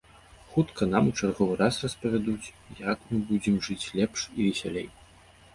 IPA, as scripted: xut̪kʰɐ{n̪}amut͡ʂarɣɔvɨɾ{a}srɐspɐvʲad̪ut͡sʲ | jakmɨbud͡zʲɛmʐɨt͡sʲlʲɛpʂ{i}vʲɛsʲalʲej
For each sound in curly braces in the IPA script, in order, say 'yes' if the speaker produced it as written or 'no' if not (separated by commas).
yes, yes, yes